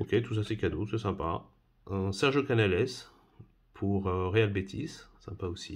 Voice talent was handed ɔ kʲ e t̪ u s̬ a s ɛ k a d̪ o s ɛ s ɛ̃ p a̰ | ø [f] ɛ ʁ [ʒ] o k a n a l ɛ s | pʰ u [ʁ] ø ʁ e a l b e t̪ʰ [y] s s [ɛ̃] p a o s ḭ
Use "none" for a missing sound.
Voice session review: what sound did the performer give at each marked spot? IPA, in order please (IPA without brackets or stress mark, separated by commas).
s, ʒ, ʁ, i, ɛ̃